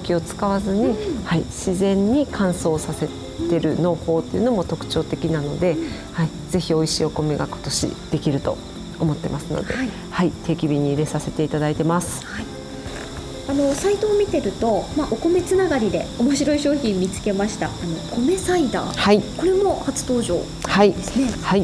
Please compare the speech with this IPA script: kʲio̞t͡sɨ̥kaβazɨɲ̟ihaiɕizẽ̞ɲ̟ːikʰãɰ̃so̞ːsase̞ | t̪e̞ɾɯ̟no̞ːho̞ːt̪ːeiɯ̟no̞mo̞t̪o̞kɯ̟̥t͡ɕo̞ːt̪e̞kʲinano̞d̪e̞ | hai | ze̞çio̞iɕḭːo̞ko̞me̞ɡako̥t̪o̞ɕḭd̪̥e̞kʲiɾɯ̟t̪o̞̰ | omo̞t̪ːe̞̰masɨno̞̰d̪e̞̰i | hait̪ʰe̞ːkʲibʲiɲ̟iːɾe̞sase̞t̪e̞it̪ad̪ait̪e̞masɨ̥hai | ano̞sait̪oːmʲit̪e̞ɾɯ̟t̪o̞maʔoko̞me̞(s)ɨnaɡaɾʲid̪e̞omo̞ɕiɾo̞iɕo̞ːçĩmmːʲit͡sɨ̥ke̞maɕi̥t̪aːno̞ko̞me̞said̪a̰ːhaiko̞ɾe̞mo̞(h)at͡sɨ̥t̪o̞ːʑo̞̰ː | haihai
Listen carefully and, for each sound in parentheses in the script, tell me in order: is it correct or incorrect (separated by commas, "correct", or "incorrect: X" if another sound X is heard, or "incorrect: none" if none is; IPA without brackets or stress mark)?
incorrect: t͡s, correct